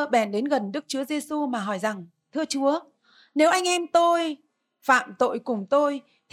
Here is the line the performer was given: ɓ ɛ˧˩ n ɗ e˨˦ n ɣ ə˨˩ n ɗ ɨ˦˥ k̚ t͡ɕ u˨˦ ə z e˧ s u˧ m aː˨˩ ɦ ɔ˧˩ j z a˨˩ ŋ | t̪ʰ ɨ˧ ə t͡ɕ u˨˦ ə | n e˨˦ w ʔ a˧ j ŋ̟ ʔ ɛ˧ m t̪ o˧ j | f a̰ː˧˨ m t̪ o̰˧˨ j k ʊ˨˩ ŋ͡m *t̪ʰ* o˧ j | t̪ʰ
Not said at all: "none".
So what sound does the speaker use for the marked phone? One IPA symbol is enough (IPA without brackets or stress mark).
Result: t̪